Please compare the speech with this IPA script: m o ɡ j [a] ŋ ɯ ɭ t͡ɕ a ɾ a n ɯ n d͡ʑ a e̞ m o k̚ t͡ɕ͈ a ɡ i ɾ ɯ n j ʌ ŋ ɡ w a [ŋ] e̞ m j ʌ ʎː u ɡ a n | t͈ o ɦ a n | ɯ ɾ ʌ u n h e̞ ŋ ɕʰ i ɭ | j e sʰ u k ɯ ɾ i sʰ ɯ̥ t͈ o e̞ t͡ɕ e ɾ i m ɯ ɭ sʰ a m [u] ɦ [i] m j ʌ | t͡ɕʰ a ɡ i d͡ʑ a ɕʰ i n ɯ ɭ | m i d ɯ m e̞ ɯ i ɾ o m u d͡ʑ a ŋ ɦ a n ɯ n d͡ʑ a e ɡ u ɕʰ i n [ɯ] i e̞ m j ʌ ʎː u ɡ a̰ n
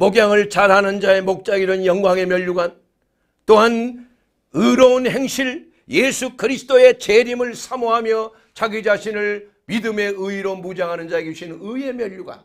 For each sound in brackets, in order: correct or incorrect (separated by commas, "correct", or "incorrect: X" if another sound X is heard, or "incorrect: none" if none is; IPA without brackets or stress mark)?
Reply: correct, correct, incorrect: o, incorrect: a, correct